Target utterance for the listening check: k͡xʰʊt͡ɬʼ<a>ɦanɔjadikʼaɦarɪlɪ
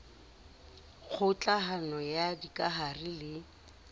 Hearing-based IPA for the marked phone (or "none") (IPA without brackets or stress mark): a